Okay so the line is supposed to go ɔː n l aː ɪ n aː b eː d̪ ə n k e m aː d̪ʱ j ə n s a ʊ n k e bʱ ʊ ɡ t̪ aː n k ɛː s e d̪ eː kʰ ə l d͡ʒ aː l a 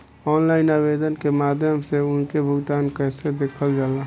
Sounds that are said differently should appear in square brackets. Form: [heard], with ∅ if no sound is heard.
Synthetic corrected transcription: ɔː n l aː ɪ n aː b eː d̪ ə n k e m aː d̪ʱ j ə [m] s [e] ʊ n k e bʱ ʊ ɡ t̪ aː n k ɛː s e d̪ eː kʰ ə l d͡ʒ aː l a